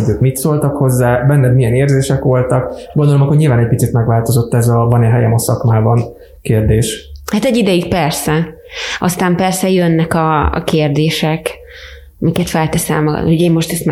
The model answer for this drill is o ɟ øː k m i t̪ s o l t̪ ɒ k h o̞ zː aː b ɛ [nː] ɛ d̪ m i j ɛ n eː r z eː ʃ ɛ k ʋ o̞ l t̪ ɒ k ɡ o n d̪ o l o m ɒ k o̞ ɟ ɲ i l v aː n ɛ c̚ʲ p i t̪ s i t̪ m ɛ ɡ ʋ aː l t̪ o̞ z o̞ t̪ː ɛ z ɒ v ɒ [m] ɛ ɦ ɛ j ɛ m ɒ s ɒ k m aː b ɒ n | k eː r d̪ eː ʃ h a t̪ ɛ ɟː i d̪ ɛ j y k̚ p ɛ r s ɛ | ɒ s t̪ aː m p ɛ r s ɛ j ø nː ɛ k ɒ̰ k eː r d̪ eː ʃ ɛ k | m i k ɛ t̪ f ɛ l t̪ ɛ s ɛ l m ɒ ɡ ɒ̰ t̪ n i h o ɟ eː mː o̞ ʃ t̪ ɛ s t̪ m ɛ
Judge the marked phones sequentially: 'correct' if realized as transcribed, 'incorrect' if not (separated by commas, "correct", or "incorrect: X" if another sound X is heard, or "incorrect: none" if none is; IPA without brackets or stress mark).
correct, incorrect: n